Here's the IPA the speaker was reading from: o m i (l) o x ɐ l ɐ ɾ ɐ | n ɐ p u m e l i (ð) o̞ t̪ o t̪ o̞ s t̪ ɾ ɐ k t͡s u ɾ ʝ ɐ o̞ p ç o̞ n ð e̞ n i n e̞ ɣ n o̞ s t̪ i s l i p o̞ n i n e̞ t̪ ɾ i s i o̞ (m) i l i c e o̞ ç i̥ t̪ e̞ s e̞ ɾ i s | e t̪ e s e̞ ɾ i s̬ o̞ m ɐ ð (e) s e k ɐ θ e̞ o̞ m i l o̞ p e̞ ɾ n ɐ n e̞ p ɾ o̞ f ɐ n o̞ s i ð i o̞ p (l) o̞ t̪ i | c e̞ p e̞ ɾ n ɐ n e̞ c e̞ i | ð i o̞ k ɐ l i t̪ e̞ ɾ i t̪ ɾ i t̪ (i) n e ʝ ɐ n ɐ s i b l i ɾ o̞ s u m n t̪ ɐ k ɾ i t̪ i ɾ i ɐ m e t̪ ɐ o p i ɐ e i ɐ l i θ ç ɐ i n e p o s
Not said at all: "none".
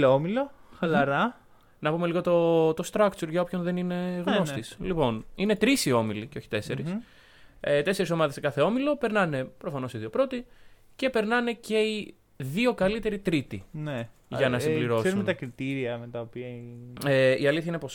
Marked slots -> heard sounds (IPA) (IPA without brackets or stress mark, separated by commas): l, ɣ, m, e, ɾ, i